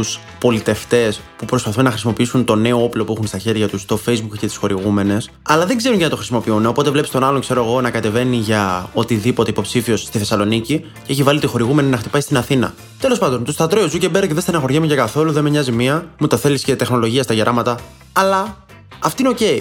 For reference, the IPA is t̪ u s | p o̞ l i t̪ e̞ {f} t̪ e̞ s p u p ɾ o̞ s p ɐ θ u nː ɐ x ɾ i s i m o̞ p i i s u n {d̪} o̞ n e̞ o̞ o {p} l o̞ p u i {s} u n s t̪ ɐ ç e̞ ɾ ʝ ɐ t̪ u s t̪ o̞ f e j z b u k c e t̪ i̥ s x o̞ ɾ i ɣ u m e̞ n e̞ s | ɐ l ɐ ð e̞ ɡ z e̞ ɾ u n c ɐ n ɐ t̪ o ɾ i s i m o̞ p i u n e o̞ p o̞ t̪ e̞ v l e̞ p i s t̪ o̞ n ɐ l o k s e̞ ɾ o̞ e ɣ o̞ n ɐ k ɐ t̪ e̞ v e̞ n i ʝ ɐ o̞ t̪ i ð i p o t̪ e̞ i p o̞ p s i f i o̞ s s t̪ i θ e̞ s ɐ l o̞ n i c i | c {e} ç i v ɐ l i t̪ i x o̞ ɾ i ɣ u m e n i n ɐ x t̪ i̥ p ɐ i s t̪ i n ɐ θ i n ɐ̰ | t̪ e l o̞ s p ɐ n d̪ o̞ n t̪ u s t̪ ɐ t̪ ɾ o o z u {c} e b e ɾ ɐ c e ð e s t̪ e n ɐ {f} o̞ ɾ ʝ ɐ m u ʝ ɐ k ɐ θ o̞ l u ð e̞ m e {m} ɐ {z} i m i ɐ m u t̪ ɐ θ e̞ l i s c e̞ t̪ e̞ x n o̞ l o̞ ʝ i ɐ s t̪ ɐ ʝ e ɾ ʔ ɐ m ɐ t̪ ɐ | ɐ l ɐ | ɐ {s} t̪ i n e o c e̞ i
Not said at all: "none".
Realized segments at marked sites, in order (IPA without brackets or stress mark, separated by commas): f, t̪, p, x, e, c, x, ɲ, z, f